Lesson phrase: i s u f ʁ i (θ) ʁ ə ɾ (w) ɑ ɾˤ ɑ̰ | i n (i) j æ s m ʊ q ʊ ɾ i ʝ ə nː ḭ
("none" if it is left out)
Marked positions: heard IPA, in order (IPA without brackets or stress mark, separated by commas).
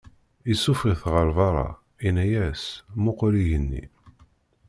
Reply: θ, v, æ